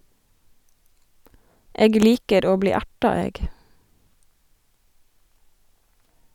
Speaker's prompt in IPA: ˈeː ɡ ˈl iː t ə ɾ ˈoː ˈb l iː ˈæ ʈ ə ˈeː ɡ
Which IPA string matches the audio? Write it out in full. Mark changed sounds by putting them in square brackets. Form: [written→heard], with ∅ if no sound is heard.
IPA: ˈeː ɡ ˈl iː [t→k] ə ɾ ˈoː ˈb l iː ˈæ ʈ [ə→ɑ] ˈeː ɡ